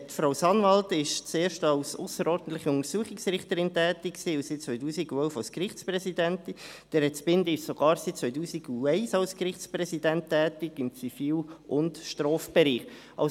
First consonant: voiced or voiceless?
voiceless